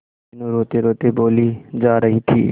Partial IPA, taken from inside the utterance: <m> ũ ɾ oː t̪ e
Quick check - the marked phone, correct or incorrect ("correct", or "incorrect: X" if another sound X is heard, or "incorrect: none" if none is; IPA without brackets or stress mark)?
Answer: incorrect: n